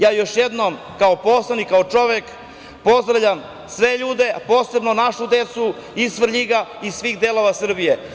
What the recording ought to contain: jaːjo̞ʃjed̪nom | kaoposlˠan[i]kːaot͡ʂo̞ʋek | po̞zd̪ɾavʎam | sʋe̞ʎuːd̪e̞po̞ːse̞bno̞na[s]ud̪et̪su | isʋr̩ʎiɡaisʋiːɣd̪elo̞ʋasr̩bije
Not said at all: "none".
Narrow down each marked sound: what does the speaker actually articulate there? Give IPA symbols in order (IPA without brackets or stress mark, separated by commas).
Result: i, ʃ